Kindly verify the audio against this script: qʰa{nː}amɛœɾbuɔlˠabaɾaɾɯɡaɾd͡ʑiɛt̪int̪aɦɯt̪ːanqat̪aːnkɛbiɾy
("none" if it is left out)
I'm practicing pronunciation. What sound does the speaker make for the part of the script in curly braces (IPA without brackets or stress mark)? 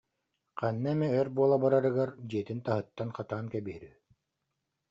nː